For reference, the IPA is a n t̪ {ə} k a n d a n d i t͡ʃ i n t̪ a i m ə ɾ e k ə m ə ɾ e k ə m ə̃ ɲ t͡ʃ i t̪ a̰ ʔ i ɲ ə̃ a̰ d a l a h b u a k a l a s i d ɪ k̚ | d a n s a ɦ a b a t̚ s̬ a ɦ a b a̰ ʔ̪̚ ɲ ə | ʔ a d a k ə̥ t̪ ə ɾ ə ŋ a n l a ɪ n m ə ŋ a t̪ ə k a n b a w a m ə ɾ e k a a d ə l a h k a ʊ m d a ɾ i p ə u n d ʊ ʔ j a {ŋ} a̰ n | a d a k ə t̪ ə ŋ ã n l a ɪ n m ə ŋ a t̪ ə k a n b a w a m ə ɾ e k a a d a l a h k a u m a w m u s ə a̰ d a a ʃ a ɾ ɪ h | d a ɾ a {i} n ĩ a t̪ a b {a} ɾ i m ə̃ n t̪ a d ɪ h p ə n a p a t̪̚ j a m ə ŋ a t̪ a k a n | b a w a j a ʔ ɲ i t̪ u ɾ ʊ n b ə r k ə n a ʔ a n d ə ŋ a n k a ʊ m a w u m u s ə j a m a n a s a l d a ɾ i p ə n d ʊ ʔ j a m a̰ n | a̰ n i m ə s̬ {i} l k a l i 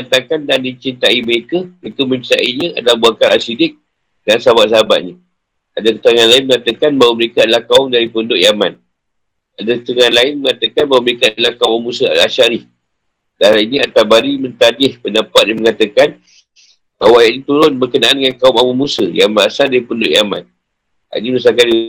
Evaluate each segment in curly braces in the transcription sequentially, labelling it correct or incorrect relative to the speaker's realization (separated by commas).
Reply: incorrect, incorrect, correct, correct, incorrect